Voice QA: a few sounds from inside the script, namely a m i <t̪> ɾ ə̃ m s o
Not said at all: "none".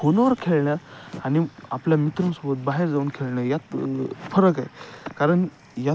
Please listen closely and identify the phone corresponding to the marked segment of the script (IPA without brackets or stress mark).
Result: t̪